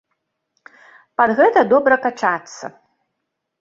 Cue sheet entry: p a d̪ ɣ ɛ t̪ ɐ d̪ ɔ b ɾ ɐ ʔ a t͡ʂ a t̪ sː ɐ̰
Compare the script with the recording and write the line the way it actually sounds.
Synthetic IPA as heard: p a d̪ ɣ ɛ t̪ ɐ d̪ ɔ b ɾ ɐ k a t͡ʂ a t̪ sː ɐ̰